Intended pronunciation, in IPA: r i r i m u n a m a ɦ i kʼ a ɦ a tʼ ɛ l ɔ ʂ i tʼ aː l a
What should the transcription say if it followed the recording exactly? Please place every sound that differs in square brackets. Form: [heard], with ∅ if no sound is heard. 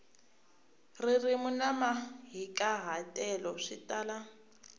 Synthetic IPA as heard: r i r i m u n a m a ɦ i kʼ a ɦ a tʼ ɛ l ɔ ʂ i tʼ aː l a